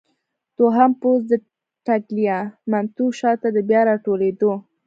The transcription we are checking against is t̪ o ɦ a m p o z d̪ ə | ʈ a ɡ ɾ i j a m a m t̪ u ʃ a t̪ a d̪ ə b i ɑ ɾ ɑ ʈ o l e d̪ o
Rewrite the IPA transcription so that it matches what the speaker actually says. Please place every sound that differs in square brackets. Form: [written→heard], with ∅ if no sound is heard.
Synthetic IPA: t̪ o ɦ a m p o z d̪ ə | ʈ a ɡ [ɾ→l] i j a m a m t̪ u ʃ [a→ɑ] t̪ a d̪ ə b [i→j] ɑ ɾ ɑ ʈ o l e d̪ o